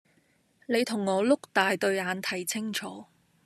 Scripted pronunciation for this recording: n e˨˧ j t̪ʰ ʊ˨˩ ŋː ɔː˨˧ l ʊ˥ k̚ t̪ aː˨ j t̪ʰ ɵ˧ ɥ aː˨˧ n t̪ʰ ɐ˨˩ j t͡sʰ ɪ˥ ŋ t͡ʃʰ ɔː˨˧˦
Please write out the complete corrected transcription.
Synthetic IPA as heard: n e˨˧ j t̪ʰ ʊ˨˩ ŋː ɔː˨˧ l ʊ˥ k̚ t̪ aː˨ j t̪ ɵ˧ ɥ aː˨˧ n t̪ʰ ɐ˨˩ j t͡sʰ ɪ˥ ŋ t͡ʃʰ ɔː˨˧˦